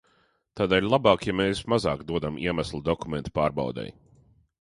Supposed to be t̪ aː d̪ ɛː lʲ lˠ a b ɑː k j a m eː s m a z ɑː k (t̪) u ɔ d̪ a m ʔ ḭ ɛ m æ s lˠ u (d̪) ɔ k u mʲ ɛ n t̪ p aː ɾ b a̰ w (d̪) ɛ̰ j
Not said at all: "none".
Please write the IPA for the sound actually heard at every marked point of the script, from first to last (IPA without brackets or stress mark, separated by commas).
d̪, d̪, d̪